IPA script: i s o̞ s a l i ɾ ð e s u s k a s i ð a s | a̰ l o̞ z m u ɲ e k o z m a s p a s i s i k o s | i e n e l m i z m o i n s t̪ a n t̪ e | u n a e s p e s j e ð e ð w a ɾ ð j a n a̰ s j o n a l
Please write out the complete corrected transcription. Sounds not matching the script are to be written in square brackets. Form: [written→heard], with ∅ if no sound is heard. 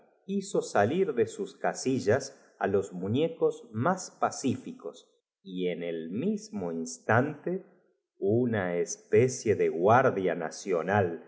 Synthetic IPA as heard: i s o̞ s a l i ɾ ð e s u s k a s i [ð→ʒ] a s | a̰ l o̞ z m u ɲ e k o z m a s p a s i [s→f] i k o s | i e n e l m i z m o i n s t̪ a n t̪ e | u n a e s p e s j e ð e [ð→ɣ] w a ɾ ð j a n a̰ s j o n a l